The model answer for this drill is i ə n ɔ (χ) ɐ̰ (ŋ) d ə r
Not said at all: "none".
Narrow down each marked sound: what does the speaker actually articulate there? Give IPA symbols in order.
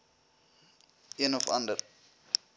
f, n

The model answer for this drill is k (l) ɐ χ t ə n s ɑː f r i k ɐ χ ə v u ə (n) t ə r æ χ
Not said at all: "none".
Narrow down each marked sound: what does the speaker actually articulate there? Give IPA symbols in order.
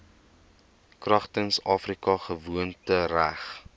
r, n

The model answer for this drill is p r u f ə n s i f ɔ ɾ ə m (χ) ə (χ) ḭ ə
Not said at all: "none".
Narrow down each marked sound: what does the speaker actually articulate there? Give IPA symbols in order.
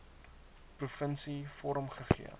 χ, χ

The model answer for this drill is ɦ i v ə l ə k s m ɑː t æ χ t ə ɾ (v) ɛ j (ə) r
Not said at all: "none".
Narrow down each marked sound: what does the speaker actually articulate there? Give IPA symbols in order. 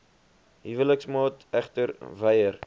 v, ə

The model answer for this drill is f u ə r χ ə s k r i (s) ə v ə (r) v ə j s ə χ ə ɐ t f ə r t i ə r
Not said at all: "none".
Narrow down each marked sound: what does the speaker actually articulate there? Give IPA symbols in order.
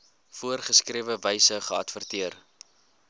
none, none

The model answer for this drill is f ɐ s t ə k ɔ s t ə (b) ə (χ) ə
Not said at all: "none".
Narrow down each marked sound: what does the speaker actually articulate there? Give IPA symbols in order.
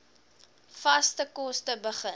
b, χ

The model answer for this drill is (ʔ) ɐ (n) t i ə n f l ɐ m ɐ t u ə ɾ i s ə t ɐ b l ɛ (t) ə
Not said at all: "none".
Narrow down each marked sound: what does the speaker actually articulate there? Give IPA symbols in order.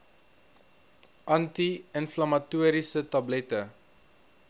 ʔ, n, t

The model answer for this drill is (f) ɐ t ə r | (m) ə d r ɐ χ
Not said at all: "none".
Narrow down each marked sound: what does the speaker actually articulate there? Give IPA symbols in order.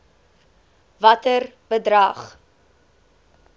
v, b

